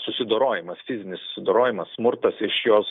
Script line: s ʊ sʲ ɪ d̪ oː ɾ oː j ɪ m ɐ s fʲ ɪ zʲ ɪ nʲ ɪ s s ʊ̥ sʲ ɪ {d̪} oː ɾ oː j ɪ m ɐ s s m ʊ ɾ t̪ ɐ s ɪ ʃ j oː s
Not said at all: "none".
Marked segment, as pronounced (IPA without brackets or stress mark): d̪